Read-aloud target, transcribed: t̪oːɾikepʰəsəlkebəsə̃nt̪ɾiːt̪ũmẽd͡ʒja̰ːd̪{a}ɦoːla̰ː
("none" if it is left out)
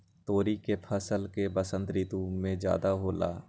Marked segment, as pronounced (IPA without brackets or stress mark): a